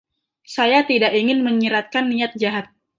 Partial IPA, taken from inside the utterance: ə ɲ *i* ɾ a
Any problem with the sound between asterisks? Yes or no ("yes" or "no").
no